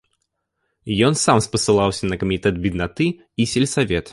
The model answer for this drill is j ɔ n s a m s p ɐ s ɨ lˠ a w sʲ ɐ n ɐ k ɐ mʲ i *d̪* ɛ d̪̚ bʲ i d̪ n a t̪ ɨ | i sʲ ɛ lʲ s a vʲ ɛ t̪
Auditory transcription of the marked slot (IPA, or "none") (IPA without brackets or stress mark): t̪